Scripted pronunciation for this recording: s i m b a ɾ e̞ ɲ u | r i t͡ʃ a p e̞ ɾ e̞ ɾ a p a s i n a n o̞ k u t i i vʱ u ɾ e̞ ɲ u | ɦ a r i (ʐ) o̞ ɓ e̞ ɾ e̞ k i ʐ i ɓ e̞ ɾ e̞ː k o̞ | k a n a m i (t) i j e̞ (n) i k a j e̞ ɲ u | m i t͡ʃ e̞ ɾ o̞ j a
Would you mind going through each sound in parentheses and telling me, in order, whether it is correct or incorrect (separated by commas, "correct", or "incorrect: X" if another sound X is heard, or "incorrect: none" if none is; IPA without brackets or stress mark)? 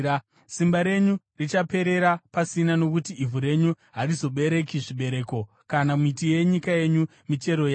incorrect: z, correct, incorrect: ɲ